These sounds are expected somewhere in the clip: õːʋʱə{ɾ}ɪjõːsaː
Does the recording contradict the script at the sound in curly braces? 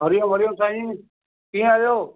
no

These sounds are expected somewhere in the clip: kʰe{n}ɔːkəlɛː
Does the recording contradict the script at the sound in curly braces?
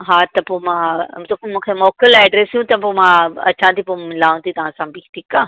yes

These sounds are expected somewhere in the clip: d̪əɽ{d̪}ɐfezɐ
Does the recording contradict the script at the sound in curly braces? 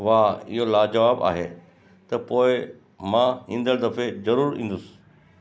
no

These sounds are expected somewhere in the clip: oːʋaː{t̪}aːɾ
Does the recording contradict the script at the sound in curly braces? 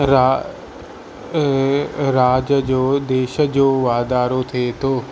yes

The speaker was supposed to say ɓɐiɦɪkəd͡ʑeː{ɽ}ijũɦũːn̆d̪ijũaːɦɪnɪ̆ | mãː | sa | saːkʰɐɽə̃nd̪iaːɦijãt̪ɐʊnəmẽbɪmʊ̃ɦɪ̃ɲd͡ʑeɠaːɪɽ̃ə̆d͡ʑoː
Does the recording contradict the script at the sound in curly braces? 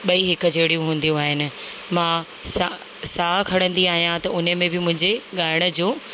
no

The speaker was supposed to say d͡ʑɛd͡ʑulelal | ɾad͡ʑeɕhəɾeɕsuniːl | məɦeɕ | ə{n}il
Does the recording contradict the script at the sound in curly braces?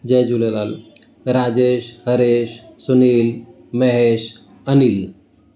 no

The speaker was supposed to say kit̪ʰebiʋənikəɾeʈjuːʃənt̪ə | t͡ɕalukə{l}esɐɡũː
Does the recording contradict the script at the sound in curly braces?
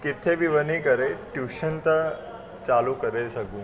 yes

